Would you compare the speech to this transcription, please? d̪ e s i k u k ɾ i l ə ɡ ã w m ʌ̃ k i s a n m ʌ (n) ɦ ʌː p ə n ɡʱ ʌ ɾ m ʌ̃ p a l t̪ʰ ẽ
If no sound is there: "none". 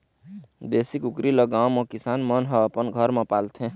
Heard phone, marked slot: n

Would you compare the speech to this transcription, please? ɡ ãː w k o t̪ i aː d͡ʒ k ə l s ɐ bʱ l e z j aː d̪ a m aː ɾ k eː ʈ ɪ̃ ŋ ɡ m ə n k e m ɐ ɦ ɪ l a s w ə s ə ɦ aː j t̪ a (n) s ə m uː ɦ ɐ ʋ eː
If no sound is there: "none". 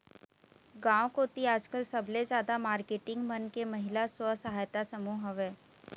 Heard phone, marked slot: none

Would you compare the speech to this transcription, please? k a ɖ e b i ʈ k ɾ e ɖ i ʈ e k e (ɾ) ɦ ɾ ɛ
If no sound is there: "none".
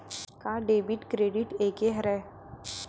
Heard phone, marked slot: none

